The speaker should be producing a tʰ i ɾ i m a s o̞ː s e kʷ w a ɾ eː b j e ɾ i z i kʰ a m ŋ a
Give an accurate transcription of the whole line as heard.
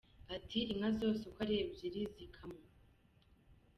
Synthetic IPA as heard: a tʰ i ɾ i ŋ a z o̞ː s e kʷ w a ɾ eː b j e ɾ i z i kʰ a m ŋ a